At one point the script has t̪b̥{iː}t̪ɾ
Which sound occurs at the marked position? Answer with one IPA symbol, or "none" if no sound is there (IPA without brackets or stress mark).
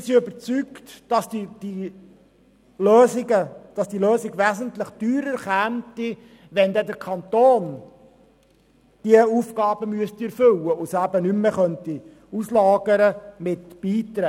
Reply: iː